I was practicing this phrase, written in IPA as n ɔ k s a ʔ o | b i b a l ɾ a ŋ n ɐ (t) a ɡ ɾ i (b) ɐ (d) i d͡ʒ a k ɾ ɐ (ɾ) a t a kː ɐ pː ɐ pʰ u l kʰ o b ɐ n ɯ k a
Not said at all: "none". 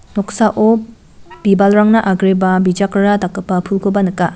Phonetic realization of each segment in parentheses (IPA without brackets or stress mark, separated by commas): ʔ, b, b, ɾ